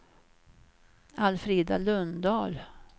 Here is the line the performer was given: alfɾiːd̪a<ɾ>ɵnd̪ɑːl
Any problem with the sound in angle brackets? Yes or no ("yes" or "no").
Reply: yes